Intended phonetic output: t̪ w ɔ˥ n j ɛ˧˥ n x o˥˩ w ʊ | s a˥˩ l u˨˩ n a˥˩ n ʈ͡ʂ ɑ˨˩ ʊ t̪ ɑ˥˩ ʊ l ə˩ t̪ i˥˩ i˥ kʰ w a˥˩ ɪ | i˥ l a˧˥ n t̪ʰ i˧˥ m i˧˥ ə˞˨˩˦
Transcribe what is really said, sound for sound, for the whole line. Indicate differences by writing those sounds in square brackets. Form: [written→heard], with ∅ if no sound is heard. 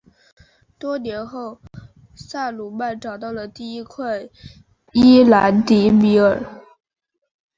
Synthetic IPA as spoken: t̪ w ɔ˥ n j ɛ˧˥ n x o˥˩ [w→∅] ʊ | s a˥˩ l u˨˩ [n→m] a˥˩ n ʈ͡ʂ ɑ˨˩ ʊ t̪ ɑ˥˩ ʊ l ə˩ t̪ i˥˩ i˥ kʰ w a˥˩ ɪ | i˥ l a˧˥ n [t̪ʰ→t̪] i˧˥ m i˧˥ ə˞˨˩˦